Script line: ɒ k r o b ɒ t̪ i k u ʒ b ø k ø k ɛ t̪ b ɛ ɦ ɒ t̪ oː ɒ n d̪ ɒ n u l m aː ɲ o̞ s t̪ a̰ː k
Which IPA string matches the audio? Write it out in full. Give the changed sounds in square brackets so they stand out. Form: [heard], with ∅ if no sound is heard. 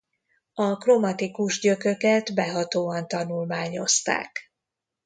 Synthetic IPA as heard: ɒ k r o [m] ɒ t̪ i k u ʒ [ɟ] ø k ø k ɛ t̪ b ɛ ɦ ɒ t̪ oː ɒ n [t̪] ɒ n u l m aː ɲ o̞ s t̪ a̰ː k